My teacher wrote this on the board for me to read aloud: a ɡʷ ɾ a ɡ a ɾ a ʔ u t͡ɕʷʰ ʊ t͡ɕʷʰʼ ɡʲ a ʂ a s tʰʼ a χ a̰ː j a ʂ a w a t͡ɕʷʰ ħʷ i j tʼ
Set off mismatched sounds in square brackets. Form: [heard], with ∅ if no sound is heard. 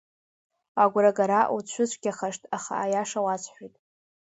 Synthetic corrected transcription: a ɡʷ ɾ a ɡ a ɾ a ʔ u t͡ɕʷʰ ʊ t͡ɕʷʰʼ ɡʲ a [χ] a [ʂ] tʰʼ a χ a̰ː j a ʂ a w a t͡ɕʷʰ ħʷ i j tʼ